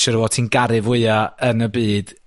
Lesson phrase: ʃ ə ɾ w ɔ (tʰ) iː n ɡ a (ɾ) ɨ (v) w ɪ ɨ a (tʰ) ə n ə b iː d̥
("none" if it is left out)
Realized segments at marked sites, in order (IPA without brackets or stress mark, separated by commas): tʰ, ɾ, v, none